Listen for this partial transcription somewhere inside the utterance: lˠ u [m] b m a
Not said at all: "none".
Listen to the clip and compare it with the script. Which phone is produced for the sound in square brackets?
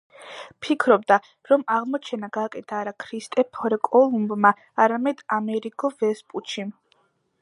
m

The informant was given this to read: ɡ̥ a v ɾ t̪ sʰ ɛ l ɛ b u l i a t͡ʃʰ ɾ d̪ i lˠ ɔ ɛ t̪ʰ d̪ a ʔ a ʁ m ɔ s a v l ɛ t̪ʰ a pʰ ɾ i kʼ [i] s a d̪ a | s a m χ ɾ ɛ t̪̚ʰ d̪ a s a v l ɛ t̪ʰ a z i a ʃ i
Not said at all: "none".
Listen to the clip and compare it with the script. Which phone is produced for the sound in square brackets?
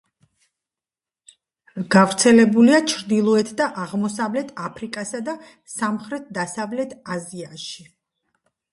a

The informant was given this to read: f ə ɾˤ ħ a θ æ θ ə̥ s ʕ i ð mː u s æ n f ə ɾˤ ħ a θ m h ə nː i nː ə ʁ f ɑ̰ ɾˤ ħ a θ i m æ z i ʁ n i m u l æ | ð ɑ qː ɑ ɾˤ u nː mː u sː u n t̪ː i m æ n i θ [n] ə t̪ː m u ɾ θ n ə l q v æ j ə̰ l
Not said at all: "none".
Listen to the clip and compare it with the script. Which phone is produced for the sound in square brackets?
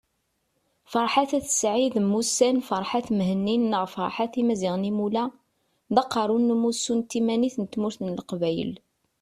n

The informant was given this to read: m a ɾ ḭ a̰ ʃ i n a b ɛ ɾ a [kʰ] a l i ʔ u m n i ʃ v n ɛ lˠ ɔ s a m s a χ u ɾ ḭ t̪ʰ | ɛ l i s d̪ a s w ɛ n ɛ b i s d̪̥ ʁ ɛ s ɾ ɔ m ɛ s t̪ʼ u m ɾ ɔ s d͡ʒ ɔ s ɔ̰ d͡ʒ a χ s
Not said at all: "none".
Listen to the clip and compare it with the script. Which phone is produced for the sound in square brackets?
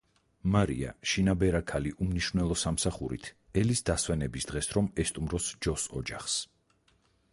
kʰ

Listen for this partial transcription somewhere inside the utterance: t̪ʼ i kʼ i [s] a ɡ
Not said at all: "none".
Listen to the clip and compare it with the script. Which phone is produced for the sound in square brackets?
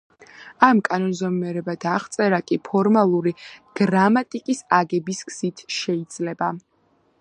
s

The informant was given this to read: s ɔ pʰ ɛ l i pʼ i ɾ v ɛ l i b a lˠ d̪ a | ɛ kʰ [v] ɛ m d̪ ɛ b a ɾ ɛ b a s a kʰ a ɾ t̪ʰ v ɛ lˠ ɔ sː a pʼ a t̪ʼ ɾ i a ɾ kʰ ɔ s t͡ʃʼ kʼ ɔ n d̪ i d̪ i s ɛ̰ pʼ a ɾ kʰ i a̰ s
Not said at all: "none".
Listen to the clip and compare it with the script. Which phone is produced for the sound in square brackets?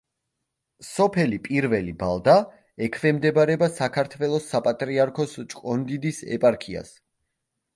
v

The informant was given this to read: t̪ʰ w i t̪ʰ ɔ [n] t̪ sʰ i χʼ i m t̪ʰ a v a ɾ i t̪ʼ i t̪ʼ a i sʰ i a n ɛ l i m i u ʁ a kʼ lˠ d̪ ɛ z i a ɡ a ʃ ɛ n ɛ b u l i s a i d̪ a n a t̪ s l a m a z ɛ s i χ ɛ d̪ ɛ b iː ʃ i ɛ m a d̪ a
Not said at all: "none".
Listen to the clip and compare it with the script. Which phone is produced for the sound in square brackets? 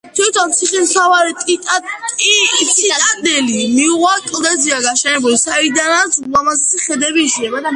n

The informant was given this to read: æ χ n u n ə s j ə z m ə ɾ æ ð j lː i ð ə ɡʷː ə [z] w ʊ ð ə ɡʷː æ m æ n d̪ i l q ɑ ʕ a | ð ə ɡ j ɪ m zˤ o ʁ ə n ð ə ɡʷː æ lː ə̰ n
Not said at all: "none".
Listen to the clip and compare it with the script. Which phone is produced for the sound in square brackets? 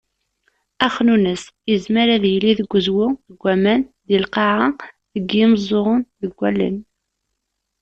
z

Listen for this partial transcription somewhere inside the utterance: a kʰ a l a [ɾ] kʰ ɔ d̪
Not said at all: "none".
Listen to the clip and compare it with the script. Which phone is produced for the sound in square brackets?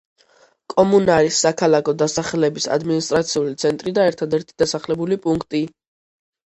none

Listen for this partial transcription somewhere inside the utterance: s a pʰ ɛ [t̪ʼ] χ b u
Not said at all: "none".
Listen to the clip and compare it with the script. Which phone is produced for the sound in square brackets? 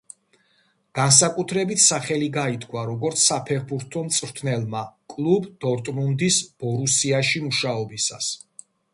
none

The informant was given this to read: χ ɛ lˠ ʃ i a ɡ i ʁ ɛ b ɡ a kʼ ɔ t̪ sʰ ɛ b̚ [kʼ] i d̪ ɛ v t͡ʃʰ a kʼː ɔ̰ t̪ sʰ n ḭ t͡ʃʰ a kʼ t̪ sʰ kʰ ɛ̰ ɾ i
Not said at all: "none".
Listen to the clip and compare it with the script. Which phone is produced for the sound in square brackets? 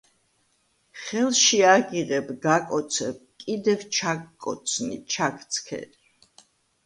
kʼ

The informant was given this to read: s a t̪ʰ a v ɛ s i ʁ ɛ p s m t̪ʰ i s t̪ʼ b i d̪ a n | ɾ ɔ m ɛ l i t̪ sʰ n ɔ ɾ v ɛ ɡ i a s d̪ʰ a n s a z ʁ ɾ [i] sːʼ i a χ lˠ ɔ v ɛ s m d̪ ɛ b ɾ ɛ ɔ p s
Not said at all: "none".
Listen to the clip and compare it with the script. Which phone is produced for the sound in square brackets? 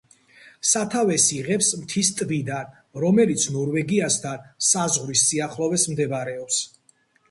i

